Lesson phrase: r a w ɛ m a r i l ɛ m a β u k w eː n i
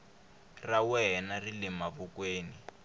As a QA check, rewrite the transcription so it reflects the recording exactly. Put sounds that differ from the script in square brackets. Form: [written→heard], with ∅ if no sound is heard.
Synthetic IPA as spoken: r a w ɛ [m→n] a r i l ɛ m a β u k w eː n i